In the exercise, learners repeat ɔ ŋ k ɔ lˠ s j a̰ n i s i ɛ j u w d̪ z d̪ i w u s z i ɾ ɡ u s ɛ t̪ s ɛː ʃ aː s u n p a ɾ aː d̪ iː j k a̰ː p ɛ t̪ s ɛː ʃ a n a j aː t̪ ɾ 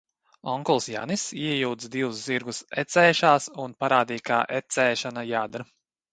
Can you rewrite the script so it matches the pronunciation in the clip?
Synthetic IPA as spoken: ɔ ŋ k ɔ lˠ s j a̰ n i s i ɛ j u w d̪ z d̪ i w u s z i ɾ ɡ u s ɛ t̪ s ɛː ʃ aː s u n p a ɾ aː d̪ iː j k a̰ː ʔ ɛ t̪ s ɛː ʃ a n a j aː d̪ ɾ